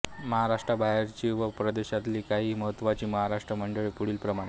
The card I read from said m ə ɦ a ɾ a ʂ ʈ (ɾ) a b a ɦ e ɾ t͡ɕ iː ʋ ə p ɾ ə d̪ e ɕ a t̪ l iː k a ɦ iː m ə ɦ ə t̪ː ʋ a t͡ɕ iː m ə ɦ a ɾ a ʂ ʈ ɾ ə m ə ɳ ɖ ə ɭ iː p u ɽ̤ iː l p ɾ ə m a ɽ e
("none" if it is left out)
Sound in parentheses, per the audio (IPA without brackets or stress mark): ɾ